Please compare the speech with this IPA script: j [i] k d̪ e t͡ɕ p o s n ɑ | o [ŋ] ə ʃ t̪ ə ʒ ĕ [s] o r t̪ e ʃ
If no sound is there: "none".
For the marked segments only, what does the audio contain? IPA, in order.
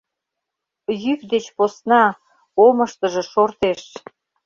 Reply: y, m, ʃ

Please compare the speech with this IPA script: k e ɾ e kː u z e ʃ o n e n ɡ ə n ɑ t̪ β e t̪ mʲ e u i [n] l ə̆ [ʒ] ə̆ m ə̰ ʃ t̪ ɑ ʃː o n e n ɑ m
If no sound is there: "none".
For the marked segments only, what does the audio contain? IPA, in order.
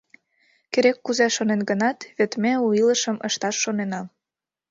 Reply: none, ʃ

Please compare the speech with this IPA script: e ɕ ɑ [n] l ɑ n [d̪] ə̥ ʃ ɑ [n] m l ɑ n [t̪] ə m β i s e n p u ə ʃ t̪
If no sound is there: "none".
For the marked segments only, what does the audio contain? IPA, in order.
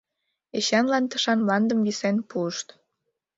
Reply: n, t̪, n, d̪

